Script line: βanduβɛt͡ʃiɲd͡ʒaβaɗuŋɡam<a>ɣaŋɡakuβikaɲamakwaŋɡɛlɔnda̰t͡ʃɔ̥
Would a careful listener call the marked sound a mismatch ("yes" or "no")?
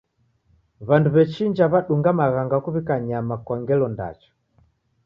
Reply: no